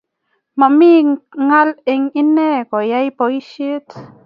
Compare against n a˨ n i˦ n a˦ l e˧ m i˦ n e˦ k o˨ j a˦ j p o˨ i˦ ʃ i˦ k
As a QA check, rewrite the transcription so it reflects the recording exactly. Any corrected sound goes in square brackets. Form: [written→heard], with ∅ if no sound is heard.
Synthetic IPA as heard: [n→m] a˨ [n→m] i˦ [n→ŋ] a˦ l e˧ [m→ŋ] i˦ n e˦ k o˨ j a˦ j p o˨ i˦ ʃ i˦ [k→t]